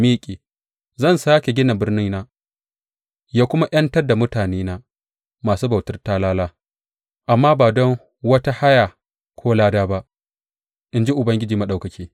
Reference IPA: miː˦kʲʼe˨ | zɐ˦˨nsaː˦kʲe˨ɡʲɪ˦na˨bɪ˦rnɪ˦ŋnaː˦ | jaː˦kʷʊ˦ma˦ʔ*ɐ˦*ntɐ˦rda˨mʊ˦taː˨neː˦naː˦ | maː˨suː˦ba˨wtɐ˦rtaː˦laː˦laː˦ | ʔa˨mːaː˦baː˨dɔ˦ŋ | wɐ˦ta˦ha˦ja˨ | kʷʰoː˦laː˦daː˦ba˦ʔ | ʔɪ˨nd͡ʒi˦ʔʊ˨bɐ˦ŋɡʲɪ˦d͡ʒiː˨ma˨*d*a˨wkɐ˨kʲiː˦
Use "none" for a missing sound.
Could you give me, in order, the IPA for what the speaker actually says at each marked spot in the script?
ɐ˦, ɗ

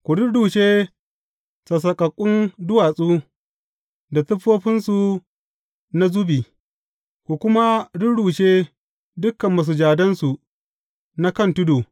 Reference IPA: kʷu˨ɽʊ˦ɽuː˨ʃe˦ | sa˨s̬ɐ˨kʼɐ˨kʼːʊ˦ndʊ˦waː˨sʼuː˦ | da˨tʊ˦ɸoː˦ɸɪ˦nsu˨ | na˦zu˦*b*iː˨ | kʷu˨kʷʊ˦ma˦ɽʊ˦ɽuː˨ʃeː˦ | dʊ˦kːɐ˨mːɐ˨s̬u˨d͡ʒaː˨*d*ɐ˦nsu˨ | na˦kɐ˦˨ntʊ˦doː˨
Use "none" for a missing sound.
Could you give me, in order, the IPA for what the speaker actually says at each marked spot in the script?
b, d

